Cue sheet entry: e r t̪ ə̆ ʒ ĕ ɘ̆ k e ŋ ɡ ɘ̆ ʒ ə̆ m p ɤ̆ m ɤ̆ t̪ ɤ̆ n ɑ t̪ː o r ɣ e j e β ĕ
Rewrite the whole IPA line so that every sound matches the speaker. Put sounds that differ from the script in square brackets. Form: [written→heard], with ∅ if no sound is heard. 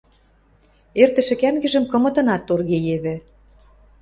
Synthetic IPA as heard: e r t̪ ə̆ [ʒ→ʃ] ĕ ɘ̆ k [e→æ] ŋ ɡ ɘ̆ ʒ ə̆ m [p→k] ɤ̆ m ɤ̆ t̪ ɤ̆ n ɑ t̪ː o r ɣ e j e β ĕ

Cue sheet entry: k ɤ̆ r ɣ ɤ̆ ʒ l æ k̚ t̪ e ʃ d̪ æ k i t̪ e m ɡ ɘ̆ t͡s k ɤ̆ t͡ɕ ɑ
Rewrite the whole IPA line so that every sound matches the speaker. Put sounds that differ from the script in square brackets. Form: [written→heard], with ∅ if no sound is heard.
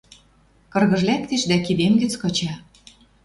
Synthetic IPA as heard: k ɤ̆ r ɣ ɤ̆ ʒ l æ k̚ t̪ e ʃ d̪ æ k i [t̪→d̪] e m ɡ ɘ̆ t͡s k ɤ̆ t͡ɕ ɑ

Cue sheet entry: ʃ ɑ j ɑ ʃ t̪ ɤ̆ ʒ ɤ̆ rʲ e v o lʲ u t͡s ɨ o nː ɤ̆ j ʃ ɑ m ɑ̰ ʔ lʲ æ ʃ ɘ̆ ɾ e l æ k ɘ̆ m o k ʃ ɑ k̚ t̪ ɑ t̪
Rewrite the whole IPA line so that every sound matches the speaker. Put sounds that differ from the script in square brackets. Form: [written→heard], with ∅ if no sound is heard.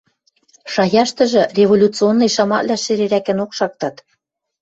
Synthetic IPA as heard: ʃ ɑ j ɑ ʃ t̪ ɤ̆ ʒ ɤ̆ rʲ e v o lʲ u t͡s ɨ o nː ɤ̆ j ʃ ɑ m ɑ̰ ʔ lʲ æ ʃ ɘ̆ ɾ e [l→ɾ] æ k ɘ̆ [m→n] o k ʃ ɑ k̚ t̪ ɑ t̪

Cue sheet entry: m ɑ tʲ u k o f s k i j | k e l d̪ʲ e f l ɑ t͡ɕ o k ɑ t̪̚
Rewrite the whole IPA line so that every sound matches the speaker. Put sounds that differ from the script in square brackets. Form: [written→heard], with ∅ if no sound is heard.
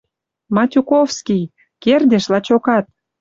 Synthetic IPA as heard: m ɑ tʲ u k o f s k i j | k e [l→r] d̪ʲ e [f→ʃ] l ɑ t͡ɕ o k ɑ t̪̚

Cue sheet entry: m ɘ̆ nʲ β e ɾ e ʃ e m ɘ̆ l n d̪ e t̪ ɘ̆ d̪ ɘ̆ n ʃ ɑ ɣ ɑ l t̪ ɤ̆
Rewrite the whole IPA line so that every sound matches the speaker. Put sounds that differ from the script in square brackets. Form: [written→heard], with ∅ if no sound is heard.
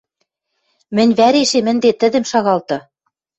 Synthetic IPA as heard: m ɘ̆ nʲ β [e→æ] ɾ e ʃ e m ɘ̆ [l→∅] n d̪ e t̪ ɘ̆ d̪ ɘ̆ [n→m] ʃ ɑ ɣ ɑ l t̪ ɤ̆

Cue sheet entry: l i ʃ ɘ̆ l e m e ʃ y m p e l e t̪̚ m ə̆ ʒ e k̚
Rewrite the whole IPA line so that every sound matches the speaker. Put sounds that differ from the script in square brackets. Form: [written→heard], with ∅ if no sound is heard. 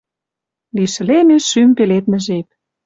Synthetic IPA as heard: l i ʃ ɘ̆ l e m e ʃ y m p e l e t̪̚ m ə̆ ʒ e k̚

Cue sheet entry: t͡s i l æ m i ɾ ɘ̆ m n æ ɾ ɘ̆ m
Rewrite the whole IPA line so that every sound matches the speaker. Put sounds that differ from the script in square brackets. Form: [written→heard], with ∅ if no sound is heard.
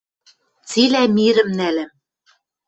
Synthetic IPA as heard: t͡s i l æ m i ɾ ɘ̆ m n æ [ɾ→l] ɘ̆ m

